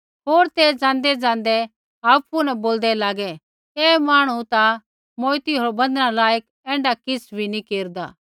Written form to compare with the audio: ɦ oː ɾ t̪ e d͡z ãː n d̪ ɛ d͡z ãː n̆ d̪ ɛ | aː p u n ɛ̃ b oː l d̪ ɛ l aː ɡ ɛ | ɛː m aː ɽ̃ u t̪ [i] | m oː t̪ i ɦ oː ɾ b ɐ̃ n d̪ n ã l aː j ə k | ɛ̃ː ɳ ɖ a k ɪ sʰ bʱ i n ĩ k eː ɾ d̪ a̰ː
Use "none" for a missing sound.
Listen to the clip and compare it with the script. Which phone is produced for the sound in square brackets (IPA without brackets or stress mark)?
a